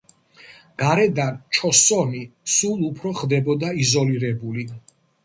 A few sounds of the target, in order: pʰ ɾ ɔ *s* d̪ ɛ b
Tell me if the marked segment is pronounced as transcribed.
no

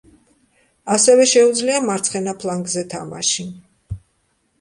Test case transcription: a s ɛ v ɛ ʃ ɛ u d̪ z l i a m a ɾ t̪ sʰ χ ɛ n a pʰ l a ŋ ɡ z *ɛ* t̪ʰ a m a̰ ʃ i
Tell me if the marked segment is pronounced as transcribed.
yes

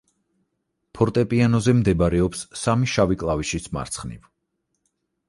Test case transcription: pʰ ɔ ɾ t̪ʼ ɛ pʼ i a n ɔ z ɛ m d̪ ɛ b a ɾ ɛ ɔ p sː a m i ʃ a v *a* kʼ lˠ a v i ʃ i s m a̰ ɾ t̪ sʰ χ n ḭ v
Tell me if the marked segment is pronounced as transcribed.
no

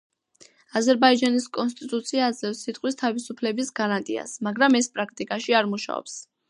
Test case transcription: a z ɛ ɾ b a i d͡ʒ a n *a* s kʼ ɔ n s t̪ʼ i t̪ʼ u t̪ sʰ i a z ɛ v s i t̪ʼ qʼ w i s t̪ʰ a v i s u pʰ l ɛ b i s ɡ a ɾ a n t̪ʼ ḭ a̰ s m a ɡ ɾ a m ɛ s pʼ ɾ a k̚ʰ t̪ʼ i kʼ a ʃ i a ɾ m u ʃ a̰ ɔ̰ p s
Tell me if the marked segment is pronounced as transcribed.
no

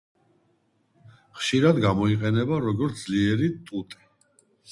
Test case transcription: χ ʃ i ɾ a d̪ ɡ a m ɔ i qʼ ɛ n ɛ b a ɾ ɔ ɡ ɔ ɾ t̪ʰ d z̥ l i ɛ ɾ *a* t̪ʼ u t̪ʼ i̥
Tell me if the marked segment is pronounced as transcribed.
no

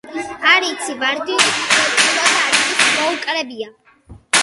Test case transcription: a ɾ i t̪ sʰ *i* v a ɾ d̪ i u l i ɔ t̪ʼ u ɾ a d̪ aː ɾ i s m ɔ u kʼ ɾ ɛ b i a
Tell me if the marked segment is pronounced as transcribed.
yes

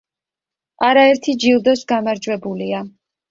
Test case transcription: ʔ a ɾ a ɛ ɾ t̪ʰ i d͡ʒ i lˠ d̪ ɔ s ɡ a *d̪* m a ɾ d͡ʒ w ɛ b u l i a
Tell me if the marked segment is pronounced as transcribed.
no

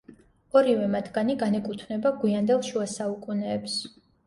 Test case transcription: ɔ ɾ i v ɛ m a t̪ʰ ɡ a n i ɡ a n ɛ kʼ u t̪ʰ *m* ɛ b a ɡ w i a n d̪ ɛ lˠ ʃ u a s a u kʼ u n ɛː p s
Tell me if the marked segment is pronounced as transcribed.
no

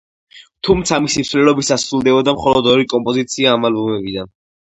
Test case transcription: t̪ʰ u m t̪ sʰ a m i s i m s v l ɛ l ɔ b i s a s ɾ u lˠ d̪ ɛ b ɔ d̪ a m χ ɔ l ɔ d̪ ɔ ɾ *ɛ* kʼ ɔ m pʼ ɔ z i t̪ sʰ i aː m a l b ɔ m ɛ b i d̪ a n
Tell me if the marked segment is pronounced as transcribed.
no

